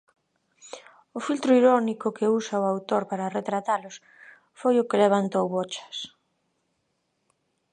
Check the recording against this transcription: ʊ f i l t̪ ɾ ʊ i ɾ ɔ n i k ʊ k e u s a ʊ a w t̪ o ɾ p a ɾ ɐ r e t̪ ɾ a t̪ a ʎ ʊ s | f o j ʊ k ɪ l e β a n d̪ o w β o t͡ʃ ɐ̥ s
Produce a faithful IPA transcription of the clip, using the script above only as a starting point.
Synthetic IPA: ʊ f i l t̪ ɾ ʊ i ɾ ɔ n i k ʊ k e u s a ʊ a w t̪ o ɾ p a ɾ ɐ r e t̪ ɾ a t̪ a l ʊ s | f o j ʊ k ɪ l e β a n t̪ o w β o t͡ʃ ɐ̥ s